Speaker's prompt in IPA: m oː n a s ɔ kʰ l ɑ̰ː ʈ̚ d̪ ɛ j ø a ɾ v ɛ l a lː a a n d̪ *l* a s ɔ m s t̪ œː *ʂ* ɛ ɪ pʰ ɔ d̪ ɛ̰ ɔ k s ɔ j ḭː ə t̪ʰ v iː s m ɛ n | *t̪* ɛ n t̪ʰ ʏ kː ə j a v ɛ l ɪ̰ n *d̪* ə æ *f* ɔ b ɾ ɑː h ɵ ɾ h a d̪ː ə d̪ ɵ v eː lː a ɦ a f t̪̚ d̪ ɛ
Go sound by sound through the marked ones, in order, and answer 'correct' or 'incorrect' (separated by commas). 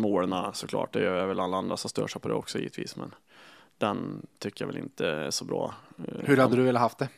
incorrect, correct, incorrect, incorrect, incorrect